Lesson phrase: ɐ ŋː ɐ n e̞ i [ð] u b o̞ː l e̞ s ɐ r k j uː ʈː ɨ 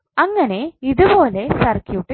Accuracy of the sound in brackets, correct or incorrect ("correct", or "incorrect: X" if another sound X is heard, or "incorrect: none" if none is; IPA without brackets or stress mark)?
correct